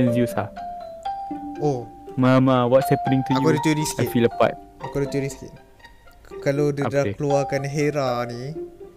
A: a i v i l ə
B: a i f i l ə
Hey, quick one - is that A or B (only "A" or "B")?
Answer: B